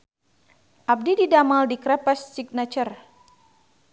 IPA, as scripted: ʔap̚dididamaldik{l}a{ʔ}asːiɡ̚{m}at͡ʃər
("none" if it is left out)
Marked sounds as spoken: ɾ, p, n

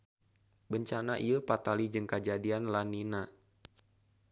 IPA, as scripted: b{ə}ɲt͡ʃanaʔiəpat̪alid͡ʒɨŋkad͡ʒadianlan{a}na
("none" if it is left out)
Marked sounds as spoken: ə, i

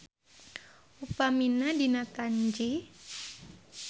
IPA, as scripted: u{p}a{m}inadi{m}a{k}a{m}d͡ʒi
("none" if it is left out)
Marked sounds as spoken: p, m, n, k, ɲ

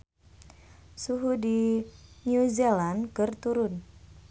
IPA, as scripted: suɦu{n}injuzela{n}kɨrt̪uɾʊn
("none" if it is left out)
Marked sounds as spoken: d, n

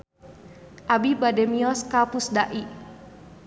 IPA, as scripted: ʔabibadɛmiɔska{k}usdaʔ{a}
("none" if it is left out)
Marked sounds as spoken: p, i

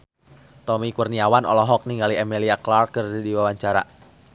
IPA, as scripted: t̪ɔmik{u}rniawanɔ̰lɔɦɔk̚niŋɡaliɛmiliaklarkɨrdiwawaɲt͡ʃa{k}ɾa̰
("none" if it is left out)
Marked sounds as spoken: u, none

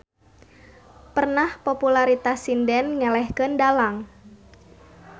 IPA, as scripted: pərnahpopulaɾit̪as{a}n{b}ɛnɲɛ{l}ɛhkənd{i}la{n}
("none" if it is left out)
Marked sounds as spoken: i, d, l, a, ŋ

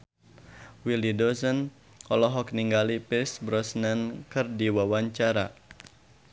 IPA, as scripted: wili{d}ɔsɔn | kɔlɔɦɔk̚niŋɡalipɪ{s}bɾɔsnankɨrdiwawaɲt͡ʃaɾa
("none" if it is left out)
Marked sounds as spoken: d, s

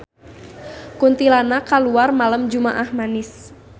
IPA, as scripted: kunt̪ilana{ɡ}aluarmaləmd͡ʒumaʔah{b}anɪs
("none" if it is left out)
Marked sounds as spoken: k, m

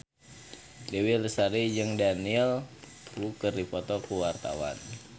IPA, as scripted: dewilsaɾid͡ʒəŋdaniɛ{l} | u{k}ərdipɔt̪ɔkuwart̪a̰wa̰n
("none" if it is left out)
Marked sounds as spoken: l, k

